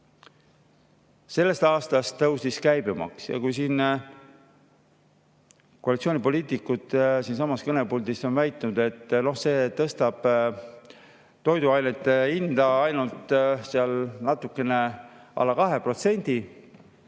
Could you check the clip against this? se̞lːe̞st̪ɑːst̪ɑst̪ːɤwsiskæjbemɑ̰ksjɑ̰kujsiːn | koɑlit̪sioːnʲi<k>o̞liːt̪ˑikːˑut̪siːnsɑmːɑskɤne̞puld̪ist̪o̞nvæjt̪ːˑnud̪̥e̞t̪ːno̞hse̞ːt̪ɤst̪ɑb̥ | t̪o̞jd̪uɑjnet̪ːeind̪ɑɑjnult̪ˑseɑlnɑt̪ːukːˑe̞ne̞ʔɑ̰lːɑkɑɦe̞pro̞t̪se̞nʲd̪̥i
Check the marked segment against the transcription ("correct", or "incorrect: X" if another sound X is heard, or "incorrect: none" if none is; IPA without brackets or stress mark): incorrect: p